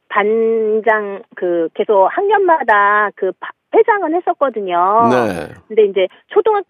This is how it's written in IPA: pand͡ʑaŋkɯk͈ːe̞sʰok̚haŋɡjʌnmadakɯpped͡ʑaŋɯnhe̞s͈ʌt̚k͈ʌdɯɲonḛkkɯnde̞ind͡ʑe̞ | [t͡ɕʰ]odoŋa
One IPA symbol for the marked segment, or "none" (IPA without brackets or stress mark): t͡ɕʰ